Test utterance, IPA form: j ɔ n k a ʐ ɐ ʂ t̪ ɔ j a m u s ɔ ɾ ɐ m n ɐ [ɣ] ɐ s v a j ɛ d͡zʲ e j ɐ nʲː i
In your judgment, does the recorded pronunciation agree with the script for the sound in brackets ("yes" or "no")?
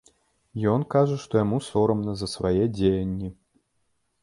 no